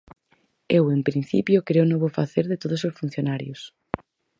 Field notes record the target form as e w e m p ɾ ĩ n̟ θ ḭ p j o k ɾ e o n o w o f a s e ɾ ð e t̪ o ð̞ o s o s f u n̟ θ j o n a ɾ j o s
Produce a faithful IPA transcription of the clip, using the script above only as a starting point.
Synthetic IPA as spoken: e w e m p ɾ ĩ n̟ θ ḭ p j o k ɾ e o n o β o f a θ e ɾ ð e t̪ o ð̞ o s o s f u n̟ θ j o n a ɾ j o s